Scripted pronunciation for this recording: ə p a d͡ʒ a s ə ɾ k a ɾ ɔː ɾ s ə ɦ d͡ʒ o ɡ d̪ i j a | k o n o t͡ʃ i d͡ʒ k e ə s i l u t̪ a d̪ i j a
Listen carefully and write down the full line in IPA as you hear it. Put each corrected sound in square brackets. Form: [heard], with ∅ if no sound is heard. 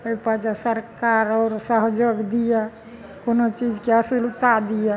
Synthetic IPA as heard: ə p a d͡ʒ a s ə ɾ k a ɾ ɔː ɾ s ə ɦ d͡ʒ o ɡ d̪ i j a | k o n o t͡ʃ i d͡ʒ k e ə s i l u t̪ a d̪ i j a

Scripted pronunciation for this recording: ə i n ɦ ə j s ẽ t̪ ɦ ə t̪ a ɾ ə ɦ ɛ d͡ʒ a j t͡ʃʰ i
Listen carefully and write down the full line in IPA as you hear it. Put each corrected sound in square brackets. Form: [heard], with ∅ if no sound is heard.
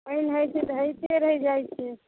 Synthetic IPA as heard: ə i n ɦ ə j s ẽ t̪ ɦ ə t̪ [e] ɾ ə ɦ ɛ d͡ʒ a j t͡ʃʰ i

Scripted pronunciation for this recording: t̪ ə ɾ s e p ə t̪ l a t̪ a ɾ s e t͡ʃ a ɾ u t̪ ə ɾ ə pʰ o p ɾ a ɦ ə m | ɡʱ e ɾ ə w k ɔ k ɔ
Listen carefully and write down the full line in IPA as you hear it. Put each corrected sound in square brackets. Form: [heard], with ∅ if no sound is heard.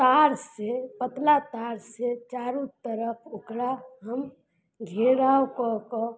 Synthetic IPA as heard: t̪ [a] ɾ s e p ə t̪ l a t̪ a ɾ s e t͡ʃ a ɾ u t̪ ə ɾ ə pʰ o [k] ɾ a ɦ ə m | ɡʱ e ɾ [a] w k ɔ k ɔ

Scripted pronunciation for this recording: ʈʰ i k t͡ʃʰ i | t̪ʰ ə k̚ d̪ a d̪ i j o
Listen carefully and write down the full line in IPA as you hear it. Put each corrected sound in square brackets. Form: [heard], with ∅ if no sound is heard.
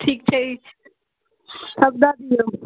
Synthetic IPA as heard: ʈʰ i k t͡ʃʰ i | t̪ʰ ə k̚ d̪ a d̪ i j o

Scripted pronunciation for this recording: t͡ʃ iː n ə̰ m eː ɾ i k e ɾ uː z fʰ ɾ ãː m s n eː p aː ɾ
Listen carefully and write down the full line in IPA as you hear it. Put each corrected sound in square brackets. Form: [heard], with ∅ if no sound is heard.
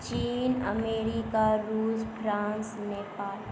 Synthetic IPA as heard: t͡ʃ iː n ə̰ m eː ɾ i k [a] ɾ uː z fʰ ɾ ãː [n] s n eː p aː [l]

